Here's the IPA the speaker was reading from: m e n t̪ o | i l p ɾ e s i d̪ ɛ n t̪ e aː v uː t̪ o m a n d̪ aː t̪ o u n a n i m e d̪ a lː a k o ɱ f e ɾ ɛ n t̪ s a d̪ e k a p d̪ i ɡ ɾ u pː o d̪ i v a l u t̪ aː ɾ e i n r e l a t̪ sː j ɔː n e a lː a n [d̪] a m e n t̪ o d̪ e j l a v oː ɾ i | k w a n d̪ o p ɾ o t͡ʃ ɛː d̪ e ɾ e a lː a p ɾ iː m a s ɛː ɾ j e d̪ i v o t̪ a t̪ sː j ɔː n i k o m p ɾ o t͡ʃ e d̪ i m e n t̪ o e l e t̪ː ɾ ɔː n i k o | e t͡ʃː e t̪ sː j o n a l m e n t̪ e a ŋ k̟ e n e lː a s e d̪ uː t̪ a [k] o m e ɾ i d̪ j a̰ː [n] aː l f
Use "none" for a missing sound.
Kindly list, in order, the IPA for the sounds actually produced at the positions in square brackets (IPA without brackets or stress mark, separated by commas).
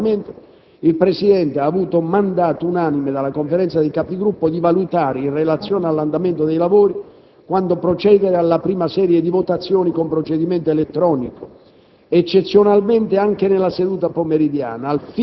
d̪, p, n